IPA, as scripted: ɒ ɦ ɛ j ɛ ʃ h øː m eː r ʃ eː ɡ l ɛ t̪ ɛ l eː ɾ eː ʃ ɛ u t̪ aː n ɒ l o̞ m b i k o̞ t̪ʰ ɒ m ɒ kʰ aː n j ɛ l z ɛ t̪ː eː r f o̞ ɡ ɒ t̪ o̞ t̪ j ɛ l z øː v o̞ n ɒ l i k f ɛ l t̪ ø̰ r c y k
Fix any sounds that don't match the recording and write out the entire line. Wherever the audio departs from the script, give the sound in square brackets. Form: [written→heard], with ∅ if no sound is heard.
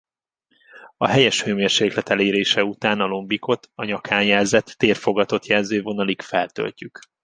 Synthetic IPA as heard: ɒ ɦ ɛ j ɛ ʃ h øː m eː r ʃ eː [ɡ→k] l ɛ t̪ ɛ l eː ɾ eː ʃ ɛ u t̪ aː n ɒ l o̞ m b i k o̞ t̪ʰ ɒ [m→ɲ] ɒ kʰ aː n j ɛ l z ɛ t̪ː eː r f o̞ ɡ ɒ t̪ o̞ t̪ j ɛ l z øː v o̞ n ɒ l i k f ɛ l t̪ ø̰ [r→l] c y k